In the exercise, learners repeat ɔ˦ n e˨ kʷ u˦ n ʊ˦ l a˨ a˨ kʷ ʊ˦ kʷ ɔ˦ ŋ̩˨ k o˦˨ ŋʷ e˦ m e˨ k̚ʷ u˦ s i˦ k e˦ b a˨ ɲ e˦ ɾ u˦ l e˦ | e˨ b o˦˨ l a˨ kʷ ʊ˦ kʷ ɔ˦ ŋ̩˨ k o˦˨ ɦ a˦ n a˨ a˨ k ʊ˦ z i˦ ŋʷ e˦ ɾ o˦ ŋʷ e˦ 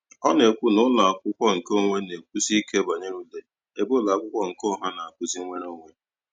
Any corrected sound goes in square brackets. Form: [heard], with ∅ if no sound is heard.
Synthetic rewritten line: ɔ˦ n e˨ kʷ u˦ n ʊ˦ l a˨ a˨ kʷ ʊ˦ kʷ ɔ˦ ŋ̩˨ k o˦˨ ŋʷ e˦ [n] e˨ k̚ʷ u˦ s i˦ k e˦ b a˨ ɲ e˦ ɾ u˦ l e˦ | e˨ b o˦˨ l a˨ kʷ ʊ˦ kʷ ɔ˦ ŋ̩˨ k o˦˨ ɦ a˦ n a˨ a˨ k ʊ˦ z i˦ ŋʷ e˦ ɾ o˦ ŋʷ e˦

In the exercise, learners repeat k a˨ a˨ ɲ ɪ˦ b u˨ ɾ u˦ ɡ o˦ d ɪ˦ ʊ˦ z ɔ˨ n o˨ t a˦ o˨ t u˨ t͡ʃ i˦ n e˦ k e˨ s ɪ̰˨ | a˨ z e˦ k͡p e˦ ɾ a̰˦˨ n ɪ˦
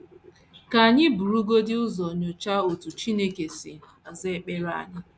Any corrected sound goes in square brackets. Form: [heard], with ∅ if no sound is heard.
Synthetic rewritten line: k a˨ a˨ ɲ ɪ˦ b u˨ ɾ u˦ ɡ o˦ d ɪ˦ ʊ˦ z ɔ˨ [ɲ] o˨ [t͡ʃ] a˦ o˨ t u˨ t͡ʃ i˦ n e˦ k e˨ s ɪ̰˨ | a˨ z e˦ k͡p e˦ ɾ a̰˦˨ [ɲ] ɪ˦

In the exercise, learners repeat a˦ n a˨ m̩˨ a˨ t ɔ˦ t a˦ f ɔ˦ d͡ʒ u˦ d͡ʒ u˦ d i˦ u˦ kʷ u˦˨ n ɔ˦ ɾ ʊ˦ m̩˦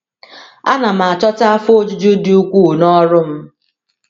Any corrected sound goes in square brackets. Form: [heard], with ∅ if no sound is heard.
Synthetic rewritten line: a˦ n a˨ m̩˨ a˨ [t͡ʃ] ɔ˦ t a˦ f [o˦] d͡ʒ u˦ d͡ʒ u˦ d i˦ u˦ kʷ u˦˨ n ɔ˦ ɾ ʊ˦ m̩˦

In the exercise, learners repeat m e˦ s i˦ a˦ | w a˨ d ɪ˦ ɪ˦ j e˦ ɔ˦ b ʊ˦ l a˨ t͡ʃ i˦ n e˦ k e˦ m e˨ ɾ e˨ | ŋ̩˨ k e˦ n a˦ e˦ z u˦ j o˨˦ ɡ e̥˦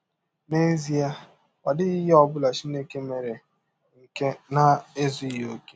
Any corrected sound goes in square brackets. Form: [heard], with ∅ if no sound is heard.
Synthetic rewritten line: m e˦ [z] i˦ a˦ | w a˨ d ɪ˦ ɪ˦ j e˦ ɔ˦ b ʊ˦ l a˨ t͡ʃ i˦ n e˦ k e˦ m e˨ ɾ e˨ | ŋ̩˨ k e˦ n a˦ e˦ z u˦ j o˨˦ [k] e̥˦

